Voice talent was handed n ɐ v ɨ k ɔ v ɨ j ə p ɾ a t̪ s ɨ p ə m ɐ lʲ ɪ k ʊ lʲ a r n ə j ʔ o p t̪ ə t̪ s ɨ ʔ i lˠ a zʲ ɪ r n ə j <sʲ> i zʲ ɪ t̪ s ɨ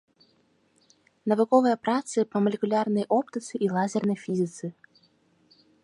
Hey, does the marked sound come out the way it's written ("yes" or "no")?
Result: no